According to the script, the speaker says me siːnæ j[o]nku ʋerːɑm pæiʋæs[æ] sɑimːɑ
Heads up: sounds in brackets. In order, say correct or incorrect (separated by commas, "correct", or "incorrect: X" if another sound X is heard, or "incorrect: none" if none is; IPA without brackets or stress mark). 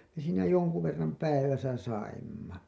correct, correct